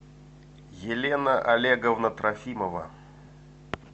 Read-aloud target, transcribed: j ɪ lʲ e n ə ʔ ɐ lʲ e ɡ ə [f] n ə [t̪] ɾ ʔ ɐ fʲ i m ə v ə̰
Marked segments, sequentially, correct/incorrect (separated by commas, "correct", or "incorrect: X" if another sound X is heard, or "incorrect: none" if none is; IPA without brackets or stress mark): incorrect: v, correct